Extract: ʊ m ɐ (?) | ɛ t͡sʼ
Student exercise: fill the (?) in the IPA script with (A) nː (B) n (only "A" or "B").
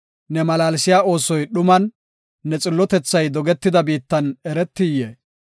A